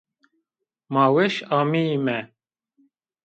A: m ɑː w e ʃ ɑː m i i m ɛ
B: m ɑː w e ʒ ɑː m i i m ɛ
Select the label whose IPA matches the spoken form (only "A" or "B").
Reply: A